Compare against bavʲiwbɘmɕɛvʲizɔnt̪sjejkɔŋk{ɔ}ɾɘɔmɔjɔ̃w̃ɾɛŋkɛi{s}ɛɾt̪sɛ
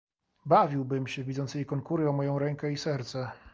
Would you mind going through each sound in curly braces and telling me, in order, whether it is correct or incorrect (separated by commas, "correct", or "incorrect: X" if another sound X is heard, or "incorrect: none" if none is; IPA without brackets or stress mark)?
incorrect: u, correct